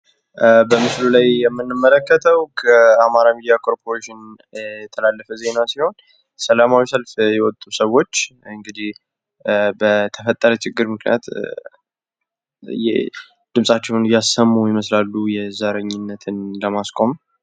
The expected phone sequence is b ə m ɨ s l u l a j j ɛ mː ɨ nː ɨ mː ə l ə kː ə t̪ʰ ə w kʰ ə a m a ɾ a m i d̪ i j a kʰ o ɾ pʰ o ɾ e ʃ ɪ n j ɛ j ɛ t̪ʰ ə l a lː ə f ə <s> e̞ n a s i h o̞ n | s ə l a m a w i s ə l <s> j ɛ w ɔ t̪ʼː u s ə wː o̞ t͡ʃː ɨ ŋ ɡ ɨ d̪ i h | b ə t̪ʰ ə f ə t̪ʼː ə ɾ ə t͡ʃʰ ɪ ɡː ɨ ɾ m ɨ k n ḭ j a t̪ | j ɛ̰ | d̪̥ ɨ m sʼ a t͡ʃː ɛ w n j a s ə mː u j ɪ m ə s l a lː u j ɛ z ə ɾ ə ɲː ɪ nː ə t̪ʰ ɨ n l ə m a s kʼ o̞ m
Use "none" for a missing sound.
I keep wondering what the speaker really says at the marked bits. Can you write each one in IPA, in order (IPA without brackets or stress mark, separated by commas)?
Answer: z, f